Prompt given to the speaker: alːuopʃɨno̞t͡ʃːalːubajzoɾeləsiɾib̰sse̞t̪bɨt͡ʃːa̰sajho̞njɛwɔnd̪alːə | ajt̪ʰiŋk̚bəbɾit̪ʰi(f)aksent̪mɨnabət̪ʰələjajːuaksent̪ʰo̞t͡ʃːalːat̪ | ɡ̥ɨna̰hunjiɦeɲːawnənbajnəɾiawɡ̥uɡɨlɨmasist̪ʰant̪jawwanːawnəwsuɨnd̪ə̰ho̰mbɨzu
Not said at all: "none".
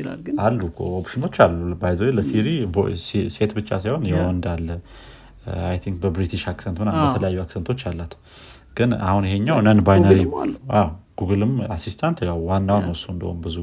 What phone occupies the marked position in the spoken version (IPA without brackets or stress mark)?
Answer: ʃ